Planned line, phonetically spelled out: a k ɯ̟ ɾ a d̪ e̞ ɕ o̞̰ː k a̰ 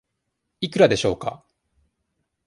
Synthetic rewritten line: i k ɯ̟ ɾ a d̪ e̞ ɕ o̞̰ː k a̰